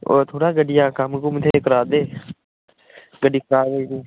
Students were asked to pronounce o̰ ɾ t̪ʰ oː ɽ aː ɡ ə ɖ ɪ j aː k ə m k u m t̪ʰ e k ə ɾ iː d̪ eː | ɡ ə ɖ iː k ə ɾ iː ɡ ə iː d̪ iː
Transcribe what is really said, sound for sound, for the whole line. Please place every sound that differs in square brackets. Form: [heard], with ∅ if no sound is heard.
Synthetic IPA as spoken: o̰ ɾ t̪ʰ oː ɽ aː ɡ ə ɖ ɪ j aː k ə m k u m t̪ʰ e k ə ɾ [aː] d̪ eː | ɡ ə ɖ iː k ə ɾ [aː] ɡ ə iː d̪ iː